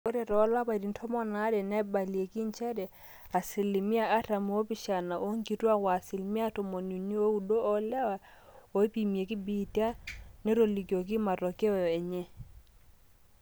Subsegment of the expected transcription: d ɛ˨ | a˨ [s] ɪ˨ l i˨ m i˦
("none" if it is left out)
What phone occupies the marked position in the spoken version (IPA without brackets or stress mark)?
s